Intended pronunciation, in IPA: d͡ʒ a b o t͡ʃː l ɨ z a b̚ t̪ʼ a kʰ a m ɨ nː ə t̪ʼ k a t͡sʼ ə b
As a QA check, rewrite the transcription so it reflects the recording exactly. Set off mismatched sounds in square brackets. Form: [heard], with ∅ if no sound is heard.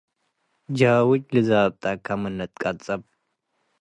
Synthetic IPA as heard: d͡ʒ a [w] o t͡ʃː l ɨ z a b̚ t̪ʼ a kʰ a m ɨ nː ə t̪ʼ [kʼ] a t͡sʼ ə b